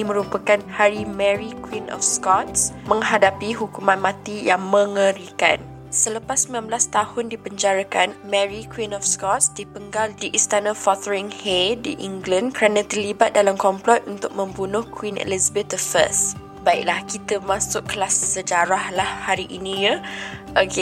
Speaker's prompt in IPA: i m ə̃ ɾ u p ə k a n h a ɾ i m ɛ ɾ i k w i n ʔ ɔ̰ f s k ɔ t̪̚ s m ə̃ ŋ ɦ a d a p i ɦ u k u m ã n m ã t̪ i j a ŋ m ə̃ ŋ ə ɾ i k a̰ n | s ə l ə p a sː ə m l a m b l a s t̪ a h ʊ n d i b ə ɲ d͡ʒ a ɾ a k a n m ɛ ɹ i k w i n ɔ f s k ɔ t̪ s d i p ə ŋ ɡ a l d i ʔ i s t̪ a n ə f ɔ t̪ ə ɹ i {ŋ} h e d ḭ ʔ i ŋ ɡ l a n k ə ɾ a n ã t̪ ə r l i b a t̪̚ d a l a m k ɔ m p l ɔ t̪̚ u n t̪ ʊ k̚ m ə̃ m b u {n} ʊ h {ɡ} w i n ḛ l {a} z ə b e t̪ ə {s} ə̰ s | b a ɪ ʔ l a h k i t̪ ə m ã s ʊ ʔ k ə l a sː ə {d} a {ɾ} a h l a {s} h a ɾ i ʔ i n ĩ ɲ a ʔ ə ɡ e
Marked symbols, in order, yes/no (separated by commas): yes, yes, no, no, no, no, yes, no